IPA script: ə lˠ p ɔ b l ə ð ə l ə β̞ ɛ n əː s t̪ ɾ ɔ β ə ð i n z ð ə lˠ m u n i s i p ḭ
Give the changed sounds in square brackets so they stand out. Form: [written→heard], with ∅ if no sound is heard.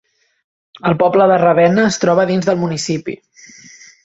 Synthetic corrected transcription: ə lˠ p ɔ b l ə ð ə [l→r] ə β̞ ɛ n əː s t̪ ɾ ɔ β ə ð i n z ð ə lˠ m u n i s i p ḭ